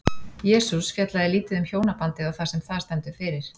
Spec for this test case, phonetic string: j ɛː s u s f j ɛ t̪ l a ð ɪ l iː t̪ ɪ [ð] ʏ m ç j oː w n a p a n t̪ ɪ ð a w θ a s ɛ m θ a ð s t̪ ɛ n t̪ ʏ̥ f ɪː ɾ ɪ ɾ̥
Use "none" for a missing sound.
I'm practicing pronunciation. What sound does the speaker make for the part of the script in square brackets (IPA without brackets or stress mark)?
ð